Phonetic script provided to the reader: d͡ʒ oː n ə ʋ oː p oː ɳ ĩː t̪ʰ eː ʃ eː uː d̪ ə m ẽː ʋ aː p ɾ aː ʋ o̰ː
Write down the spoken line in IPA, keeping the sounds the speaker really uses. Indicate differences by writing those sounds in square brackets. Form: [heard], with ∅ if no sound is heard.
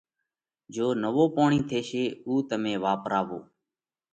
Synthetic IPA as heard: d͡ʒ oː n ə ʋ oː p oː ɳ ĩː t̪ʰ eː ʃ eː uː [t̪] ə m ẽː ʋ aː p ɾ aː ʋ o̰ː